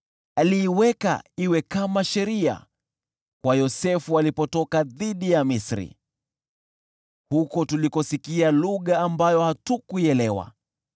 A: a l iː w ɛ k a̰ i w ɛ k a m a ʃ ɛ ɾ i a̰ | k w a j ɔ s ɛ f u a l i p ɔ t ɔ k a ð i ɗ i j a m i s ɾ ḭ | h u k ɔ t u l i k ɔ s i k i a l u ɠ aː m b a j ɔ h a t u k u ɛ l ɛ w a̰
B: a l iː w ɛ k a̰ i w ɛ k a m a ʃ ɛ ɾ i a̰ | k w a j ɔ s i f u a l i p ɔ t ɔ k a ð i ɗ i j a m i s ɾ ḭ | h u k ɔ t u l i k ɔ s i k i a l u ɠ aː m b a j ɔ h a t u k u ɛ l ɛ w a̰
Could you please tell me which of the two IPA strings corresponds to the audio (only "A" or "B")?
A